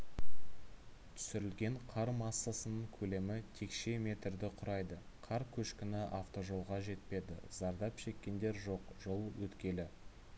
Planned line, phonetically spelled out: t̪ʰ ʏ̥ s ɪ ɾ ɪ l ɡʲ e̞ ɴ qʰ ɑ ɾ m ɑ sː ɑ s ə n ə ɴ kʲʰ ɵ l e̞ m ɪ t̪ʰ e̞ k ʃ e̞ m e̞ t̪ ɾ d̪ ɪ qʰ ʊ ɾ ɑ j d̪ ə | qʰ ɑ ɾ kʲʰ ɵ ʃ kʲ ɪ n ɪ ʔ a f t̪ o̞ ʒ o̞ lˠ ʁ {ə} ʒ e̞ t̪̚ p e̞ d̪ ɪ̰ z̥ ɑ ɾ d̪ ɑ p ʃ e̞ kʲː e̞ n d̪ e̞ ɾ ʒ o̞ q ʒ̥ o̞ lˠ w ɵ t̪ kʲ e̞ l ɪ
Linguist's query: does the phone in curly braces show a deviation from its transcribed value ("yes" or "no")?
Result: yes